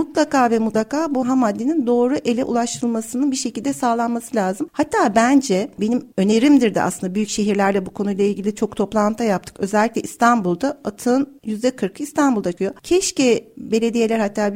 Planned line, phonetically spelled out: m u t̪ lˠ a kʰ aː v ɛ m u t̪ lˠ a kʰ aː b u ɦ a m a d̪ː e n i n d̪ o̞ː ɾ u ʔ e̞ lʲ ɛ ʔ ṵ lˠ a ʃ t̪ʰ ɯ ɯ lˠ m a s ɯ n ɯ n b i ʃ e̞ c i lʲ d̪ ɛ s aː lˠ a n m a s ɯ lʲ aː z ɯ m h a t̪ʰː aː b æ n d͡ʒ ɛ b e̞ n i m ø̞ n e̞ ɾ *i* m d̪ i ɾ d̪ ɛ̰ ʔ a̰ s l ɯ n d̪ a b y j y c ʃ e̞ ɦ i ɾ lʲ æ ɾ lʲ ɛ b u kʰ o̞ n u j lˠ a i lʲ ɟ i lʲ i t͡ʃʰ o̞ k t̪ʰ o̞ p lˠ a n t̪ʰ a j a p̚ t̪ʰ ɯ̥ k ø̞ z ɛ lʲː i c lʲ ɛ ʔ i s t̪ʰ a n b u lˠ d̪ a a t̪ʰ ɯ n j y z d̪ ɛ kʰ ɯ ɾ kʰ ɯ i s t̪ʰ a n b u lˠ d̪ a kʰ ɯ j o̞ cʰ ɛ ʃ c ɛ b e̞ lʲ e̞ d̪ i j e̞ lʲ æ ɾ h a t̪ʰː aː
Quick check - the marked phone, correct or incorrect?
correct